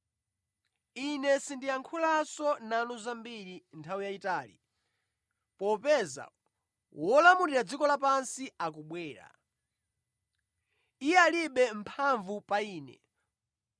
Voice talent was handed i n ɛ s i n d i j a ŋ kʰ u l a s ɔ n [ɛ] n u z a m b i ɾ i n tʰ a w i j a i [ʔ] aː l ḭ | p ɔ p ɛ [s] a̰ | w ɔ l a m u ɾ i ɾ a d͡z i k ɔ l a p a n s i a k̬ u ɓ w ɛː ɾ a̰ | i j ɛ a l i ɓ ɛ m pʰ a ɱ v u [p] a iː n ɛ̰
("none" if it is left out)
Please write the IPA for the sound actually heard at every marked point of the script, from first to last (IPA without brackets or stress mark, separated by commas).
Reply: a, t, z, p